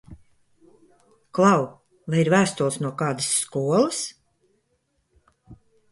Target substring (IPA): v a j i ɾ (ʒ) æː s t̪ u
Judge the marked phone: incorrect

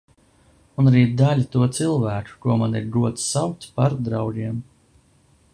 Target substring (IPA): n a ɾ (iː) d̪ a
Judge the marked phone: correct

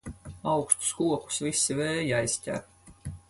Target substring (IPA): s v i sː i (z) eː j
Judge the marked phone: incorrect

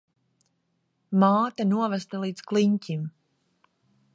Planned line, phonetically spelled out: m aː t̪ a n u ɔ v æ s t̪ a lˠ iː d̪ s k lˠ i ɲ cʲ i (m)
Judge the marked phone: correct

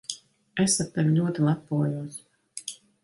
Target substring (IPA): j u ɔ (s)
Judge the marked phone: correct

